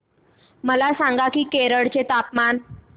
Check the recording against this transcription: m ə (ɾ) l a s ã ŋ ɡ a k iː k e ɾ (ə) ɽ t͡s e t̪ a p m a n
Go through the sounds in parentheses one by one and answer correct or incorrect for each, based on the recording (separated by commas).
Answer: incorrect, correct